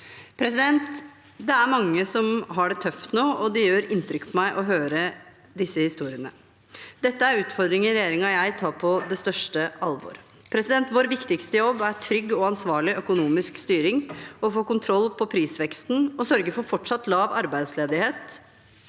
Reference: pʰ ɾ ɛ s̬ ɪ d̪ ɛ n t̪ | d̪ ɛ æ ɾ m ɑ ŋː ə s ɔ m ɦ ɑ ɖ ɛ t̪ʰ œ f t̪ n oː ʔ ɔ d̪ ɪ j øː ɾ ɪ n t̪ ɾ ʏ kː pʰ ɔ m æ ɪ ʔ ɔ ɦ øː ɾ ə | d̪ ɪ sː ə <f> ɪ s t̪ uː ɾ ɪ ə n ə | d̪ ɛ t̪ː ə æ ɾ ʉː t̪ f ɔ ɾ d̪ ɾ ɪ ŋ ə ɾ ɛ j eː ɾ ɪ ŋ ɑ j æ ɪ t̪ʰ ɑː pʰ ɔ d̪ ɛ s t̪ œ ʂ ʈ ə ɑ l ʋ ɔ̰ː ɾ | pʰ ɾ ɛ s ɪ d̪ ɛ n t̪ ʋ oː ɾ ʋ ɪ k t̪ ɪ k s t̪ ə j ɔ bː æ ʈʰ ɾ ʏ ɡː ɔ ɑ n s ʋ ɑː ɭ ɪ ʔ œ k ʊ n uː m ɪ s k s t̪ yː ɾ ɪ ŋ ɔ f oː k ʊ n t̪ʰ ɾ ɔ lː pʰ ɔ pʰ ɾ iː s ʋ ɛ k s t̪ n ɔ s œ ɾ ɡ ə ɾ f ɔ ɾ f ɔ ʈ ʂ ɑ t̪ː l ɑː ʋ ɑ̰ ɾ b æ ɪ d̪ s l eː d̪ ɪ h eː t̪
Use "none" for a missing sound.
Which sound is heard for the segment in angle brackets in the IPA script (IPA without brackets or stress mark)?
h